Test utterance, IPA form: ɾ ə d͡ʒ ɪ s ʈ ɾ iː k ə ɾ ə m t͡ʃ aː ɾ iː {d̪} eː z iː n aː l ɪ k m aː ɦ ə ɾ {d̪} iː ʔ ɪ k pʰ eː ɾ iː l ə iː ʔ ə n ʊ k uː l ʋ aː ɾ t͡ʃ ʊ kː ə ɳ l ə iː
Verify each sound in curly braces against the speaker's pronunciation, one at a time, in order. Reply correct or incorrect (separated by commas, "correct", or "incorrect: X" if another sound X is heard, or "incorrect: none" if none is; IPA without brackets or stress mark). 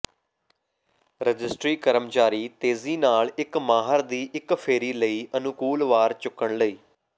incorrect: t̪, correct